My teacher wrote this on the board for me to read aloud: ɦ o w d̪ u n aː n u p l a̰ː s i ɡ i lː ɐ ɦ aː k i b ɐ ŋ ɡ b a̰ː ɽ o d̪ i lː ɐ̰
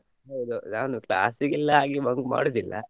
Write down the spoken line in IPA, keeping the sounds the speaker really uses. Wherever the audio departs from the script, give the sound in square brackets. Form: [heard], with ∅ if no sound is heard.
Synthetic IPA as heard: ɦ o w d̪ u n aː n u [k] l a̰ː s i ɡ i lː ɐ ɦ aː [ɡ] i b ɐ ŋ ɡ [m] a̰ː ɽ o d̪ i lː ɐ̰